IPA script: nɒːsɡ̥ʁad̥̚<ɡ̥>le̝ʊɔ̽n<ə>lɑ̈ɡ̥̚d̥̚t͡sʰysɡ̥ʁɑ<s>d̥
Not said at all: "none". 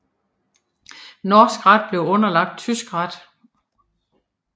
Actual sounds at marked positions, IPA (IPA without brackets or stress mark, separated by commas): b̥, ɐ, none